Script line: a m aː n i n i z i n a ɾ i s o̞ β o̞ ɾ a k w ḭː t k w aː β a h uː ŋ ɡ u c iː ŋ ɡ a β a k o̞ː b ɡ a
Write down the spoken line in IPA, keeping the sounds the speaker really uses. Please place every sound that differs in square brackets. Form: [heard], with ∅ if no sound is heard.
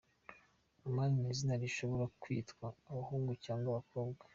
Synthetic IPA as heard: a m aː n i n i z i n a ɾ i [ʃ] o̞ β o̞ ɾ a k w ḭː t k w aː β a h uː ŋ ɡ u c [aː] ŋ ɡ a β a k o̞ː b ɡ a

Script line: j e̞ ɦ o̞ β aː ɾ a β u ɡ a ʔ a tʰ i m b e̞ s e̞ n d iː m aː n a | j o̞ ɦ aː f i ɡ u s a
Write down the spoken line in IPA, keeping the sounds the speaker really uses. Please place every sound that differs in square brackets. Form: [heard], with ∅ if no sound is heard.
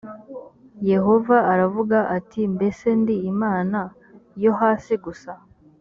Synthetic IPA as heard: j e̞ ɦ o̞ [v] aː ɾ a [v] u ɡ a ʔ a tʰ i m b e̞ s e̞ n d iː m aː n a | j o̞ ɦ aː [s] i ɡ u s a

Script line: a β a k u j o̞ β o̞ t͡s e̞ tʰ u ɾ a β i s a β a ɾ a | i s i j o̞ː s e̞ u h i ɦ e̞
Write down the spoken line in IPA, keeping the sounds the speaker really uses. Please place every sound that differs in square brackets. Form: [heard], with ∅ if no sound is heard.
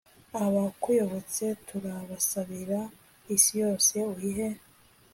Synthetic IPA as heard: a β a k u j o̞ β o̞ t͡s e̞ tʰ u ɾ a β [a] s a β [i] ɾ a | i s i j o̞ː s e̞ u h i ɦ e̞

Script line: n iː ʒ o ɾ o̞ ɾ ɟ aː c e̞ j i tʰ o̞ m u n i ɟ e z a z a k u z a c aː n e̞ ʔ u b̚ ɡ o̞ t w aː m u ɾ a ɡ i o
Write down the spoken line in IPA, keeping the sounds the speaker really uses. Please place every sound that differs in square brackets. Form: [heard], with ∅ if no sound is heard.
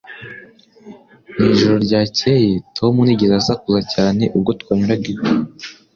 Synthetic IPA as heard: n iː ʒ o ɾ o̞ ɾ ɟ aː c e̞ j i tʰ o̞ m u n i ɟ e z a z a k u z a c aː n e̞ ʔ u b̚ ɡ o̞ t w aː [ɲ] u ɾ a ɡ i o

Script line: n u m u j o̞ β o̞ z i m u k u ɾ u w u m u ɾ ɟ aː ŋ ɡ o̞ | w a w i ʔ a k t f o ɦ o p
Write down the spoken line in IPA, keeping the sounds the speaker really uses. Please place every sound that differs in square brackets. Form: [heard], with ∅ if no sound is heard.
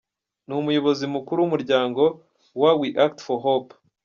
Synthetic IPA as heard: n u m u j o̞ β o̞ z i m u k u ɾ u w u m u ɾ ɟ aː ŋ ɡ o̞ | w a w i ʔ a k t f o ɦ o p

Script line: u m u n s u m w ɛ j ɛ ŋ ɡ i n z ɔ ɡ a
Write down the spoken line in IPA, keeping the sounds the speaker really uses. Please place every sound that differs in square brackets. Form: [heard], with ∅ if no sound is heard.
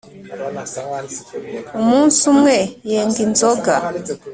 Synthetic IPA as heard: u m u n s u m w ɛ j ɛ ŋ ɡ i n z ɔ ɡ a

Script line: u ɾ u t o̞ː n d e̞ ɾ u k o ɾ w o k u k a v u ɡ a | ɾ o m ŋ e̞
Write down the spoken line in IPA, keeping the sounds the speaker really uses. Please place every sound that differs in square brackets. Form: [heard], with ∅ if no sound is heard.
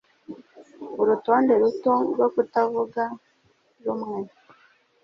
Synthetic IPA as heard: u ɾ u t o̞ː n d e̞ ɾ u [t] o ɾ w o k u [t] a v u ɡ a | ɾ [u] m ŋ e̞

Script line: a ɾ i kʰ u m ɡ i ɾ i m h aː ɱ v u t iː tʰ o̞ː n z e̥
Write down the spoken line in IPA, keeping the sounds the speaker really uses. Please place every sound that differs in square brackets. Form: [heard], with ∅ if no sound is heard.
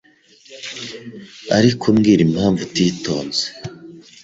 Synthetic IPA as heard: a ɾ i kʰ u m ɡ i ɾ i m h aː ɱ v u t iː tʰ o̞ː n z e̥

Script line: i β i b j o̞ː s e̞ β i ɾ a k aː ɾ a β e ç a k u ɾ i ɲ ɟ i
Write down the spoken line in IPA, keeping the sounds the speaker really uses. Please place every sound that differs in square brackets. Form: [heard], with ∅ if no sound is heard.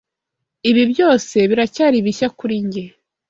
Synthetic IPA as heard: i β i b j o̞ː s e̞ β i ɾ a [c] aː ɾ [i] β [i] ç a k u ɾ i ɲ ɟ [e]

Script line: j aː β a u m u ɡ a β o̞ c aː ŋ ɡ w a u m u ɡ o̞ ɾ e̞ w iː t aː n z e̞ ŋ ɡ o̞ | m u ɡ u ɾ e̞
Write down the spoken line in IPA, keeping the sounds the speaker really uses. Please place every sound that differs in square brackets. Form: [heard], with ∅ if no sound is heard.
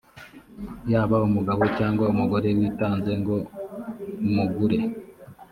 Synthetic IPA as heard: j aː β a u m u ɡ a β o̞ c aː ŋ ɡ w a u m u ɡ o̞ ɾ e̞ w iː t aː n z e̞ ŋ ɡ o̞ | m u ɡ u ɾ e̞

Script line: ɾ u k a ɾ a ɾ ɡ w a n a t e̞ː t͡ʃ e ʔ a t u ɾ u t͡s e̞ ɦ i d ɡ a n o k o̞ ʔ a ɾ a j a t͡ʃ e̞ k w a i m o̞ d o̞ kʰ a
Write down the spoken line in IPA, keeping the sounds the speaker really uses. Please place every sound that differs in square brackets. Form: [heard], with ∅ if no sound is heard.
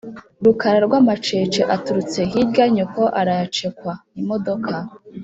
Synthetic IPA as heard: ɾ u k a ɾ a ɾ ɡ w a [m] a [t͡ʃ] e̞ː t͡ʃ e ʔ a t u ɾ u t͡s e̞ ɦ i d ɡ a [ɲ] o k o̞ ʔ a ɾ a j a t͡ʃ e̞ k w a i m o̞ d o̞ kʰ a

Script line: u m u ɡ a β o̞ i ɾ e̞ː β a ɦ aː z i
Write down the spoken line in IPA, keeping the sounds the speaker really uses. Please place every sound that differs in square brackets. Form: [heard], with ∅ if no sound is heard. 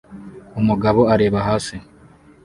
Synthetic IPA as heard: u m u ɡ a β o̞ [a] ɾ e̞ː β a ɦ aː [s] i

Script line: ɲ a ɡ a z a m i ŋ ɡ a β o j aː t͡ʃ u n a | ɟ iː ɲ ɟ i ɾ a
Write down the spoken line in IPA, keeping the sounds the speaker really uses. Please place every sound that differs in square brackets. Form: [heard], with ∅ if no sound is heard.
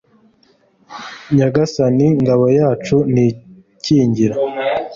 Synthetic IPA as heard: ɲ a ɡ a [s] a [n] i ŋ ɡ a β o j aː t͡ʃ u n [i] | [c] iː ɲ ɟ i ɾ a

